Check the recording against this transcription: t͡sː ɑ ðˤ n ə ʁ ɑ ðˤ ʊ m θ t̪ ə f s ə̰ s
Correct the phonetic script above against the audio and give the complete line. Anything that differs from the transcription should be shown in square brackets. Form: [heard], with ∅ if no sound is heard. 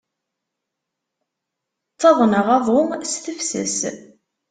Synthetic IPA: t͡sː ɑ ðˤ n ə ʁ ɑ ðˤ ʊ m [s] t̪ ə f s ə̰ s